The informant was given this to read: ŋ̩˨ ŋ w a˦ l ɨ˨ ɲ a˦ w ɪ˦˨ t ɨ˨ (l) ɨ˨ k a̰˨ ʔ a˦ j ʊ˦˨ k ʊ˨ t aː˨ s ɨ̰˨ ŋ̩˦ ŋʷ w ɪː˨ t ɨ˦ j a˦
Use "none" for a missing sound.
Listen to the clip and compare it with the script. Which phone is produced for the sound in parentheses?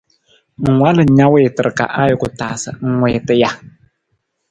ɾ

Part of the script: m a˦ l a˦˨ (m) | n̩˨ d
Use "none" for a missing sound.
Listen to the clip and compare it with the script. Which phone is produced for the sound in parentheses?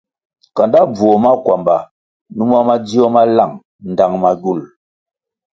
ŋ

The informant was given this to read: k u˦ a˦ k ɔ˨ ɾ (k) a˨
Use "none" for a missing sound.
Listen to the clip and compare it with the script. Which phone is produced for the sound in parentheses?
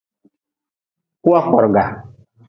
ɡ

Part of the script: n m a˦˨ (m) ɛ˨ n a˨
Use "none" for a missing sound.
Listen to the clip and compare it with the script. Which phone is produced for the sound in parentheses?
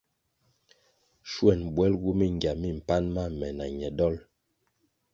m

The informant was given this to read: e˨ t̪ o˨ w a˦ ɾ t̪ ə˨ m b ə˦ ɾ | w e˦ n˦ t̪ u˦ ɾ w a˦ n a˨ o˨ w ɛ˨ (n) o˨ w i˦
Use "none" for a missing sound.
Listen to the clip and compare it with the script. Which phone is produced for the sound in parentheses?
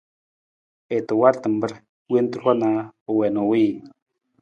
n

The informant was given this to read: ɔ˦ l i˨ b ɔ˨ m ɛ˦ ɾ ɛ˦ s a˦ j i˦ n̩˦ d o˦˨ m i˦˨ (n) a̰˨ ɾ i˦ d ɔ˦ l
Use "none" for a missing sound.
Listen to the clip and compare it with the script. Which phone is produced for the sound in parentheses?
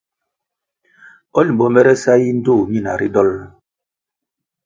n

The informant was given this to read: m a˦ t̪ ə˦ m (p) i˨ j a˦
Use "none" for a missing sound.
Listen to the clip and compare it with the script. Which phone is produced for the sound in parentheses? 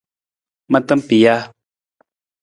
p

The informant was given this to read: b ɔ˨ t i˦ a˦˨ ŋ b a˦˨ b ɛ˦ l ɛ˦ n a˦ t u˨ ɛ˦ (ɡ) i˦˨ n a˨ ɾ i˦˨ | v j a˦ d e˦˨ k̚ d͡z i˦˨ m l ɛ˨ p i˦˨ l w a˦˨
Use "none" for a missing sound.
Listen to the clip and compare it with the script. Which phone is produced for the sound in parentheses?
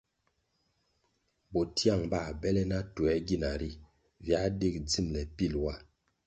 ɡ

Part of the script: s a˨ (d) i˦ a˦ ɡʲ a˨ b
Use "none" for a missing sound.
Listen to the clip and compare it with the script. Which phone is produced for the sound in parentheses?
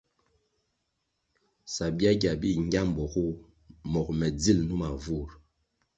b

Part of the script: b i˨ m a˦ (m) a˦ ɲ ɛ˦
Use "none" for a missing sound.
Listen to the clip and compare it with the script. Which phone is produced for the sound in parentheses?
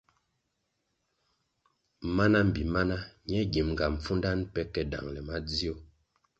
n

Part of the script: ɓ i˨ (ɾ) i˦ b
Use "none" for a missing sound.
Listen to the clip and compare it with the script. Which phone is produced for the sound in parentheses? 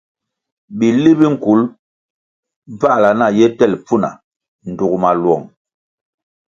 l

